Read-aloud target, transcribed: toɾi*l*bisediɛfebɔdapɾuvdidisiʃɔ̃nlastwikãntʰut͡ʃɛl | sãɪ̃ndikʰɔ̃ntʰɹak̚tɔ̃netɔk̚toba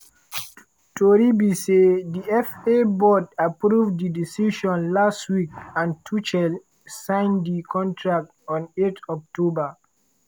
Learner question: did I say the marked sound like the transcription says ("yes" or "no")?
no